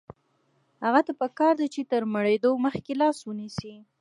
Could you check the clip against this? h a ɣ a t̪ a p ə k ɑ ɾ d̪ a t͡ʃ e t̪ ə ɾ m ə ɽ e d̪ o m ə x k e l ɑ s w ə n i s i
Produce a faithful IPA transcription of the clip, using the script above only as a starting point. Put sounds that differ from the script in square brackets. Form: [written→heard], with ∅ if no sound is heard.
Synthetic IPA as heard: h a ɣ a t̪ a p ə k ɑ ɾ d̪ a t͡ʃ e t̪ ə ɾ m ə ɽ e d̪ o m ə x k e l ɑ s w ə n i s i